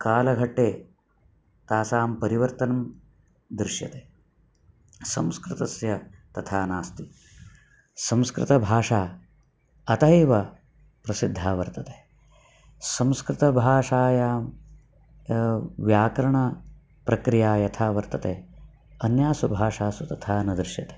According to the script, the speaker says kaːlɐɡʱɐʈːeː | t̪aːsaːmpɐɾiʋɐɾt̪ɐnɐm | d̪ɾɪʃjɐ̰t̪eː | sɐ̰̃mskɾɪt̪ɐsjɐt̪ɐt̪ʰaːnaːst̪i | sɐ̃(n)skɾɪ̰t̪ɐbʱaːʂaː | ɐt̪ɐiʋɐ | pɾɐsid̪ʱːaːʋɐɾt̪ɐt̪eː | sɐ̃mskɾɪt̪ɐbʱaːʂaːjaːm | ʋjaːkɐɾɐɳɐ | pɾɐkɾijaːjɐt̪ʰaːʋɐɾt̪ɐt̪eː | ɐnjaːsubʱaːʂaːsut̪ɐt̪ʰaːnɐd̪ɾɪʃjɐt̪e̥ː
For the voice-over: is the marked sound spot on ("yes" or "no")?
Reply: no